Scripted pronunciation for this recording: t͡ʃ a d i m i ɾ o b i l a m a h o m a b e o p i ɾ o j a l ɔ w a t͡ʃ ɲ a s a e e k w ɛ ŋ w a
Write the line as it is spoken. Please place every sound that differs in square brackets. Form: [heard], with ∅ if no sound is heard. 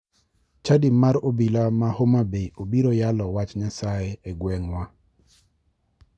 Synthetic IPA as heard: t͡ʃ a d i m [a] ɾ o b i l a m a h o m a b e o [b] i ɾ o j a l ɔ w a t͡ʃ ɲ a s a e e [ɡ] w ɛ ŋ w a